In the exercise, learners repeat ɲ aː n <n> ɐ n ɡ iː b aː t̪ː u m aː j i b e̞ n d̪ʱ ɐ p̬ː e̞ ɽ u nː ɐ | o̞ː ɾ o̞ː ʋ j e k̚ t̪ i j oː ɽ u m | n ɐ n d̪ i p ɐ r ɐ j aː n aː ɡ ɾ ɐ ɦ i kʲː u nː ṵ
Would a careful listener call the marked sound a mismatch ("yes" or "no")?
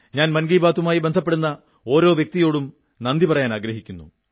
yes